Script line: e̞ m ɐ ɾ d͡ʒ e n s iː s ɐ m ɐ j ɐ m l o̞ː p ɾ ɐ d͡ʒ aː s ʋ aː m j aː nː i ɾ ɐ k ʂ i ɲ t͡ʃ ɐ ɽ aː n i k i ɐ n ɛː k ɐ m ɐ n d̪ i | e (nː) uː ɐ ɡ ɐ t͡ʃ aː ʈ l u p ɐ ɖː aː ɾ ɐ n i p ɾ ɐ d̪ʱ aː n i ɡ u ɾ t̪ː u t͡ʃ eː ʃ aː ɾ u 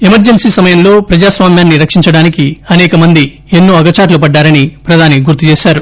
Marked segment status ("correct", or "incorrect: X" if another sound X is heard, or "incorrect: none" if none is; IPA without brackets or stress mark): correct